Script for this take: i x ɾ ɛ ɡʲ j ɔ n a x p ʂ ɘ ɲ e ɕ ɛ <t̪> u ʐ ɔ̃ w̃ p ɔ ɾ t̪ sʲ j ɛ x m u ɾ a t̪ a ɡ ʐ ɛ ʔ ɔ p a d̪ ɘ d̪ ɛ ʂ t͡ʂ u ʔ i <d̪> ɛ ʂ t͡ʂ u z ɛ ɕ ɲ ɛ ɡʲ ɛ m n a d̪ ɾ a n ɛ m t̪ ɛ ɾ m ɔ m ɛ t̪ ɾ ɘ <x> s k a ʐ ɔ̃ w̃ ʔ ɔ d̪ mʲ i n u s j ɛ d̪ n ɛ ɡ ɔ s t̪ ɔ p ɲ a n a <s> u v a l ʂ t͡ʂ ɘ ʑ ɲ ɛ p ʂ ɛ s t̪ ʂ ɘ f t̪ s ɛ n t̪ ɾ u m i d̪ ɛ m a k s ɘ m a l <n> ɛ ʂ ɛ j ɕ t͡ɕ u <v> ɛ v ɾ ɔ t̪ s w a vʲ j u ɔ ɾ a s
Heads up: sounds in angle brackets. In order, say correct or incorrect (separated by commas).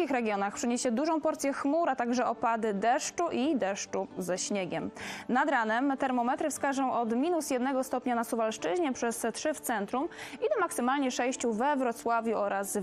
incorrect, correct, incorrect, correct, incorrect, correct